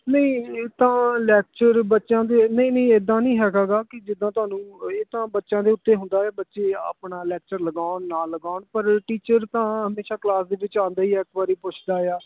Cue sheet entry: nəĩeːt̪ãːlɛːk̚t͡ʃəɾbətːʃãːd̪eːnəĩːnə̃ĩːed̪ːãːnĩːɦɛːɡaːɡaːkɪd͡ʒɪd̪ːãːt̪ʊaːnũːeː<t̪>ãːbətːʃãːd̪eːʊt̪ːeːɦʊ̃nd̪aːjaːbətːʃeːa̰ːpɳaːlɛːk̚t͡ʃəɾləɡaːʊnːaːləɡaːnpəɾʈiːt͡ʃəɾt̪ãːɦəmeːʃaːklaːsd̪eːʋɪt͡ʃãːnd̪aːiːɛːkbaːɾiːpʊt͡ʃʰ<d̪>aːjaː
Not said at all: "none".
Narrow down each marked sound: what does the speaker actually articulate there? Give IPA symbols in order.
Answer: t̪, d̪

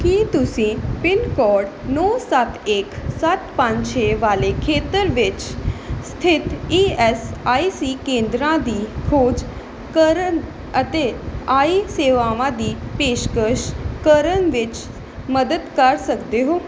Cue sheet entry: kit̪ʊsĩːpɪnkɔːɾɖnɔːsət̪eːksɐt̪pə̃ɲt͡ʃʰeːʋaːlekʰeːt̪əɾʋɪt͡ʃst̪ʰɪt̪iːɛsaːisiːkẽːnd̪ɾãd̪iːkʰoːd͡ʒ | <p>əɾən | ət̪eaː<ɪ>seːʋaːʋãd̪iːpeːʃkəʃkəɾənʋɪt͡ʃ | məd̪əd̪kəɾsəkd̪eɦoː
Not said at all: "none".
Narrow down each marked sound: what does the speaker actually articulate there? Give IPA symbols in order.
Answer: k, i

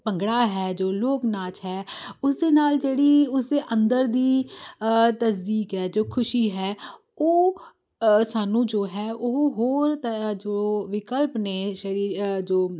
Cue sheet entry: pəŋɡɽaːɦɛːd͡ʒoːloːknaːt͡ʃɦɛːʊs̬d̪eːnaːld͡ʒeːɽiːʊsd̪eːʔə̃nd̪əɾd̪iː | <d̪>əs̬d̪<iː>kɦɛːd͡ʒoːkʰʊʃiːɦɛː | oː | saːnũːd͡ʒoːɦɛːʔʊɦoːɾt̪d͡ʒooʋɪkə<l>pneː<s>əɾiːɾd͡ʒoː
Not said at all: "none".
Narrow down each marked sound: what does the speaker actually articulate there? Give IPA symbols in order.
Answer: t̪, iː, l, ʃ

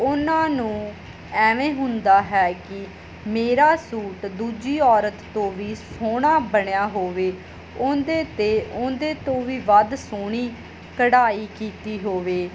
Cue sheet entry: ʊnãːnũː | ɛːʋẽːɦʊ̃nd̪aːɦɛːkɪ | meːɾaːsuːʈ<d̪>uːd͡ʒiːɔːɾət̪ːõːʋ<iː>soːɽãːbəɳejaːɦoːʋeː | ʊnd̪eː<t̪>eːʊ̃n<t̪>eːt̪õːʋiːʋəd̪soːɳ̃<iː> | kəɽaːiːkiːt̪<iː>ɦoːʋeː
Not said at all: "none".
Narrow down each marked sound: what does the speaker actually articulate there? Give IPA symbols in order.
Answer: d̪, iː, t̪, d̪, iː, iː

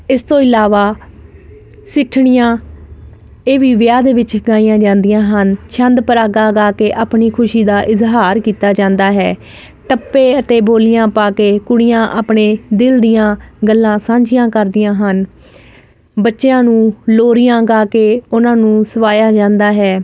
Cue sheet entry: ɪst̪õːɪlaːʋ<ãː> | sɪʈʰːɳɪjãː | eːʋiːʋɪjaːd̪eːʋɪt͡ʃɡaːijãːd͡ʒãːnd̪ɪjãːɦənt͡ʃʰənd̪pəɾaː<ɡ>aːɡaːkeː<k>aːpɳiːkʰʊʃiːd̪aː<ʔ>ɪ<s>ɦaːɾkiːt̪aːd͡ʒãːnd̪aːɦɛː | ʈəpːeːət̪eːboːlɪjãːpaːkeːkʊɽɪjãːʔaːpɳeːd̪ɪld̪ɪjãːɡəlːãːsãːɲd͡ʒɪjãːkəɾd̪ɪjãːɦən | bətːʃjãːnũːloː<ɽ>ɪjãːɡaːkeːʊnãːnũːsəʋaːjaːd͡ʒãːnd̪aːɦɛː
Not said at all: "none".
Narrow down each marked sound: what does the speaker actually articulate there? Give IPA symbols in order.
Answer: aː, ɡ, ʔ, ʔ, z, ɾ

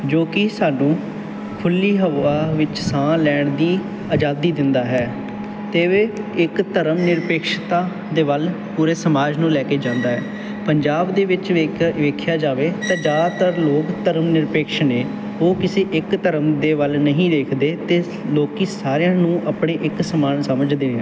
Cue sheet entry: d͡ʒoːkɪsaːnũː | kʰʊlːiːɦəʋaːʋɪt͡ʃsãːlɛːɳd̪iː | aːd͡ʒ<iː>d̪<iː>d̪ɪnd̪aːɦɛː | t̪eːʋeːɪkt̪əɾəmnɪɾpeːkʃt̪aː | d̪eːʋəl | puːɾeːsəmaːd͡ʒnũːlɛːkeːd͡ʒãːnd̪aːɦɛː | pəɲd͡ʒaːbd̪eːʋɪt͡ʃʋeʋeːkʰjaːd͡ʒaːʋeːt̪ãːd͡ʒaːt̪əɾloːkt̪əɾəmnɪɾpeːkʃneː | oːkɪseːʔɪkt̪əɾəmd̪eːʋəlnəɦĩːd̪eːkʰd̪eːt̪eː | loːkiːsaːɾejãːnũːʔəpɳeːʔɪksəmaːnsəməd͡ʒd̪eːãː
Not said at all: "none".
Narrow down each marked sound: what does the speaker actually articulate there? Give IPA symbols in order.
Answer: aː, iː

